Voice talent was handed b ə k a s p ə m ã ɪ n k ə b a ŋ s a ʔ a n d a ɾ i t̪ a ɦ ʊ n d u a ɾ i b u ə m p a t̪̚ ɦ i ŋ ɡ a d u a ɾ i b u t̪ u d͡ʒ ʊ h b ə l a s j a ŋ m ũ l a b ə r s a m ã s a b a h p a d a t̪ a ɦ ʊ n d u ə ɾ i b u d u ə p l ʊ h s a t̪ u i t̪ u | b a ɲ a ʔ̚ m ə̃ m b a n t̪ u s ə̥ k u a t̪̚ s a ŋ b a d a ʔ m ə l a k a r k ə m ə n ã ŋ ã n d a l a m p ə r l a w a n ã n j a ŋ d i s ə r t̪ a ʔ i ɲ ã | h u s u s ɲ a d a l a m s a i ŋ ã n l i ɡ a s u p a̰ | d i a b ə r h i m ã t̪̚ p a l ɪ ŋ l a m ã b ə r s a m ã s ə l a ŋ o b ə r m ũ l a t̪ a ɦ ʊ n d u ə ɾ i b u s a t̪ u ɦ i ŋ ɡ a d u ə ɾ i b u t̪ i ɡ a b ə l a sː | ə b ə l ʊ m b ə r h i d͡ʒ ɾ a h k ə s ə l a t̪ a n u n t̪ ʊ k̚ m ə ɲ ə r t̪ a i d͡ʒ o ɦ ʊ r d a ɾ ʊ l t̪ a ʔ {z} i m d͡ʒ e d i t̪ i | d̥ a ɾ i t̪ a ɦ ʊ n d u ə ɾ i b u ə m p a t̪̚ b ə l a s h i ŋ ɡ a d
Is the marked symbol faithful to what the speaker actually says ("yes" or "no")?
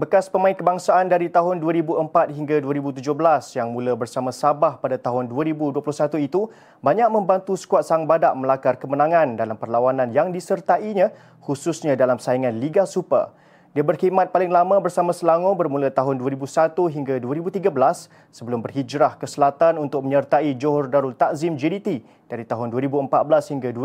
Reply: yes